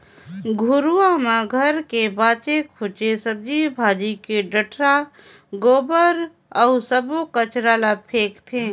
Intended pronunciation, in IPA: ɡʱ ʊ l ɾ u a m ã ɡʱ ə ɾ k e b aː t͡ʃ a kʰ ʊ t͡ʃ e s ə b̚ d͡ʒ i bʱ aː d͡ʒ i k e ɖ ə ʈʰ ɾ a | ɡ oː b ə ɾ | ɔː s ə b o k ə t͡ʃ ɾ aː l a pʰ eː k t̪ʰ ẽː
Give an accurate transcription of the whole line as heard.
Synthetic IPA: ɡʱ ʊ ɾ u a m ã ɡʱ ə ɾ k e b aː t͡ʃ e kʰ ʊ t͡ʃ e s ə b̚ d͡ʒ i bʱ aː d͡ʒ i k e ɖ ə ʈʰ ɾ a | ɡ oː b ə ɾ | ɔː s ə b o k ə t͡ʃ ɾ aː l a pʰ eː k t̪ʰ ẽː